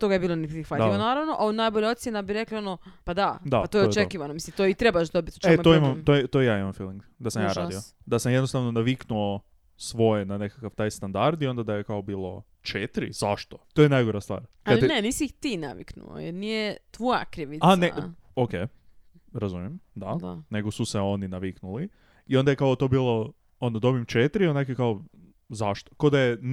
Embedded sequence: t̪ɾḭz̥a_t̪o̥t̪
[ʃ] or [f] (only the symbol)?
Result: ʃ